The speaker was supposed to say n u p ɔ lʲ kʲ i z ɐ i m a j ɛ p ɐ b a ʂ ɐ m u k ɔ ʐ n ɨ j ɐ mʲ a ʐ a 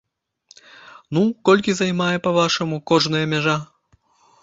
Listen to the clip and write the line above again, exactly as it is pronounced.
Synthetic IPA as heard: n u k ɔ lʲ kʲ i z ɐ j m a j ɛ p ɐ v a ʂ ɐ m u k ɔ ʐ n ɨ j ɐ mʲ a ʐ a